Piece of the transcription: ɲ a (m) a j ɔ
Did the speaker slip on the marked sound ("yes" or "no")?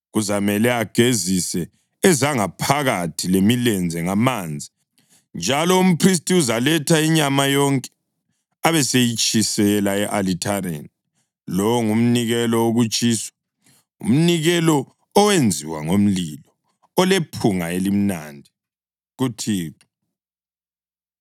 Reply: no